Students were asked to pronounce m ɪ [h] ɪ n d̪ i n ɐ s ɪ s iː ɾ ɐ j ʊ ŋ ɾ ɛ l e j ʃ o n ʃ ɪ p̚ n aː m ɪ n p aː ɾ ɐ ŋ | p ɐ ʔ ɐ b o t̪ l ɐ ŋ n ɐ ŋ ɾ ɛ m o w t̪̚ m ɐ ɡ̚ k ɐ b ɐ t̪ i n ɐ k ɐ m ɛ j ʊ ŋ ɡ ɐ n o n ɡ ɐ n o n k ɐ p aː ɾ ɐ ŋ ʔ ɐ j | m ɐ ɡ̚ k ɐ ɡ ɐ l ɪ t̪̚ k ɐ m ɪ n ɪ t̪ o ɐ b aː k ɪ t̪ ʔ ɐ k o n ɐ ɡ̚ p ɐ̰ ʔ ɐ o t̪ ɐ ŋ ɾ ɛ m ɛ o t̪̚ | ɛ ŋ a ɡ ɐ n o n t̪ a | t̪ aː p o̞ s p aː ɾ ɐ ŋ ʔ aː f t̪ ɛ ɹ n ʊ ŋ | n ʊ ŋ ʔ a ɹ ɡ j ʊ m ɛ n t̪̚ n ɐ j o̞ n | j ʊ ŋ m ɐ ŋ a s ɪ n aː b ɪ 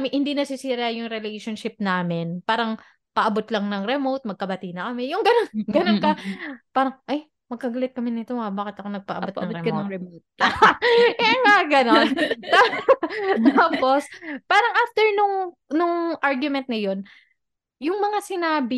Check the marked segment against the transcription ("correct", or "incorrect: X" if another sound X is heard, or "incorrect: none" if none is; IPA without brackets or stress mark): correct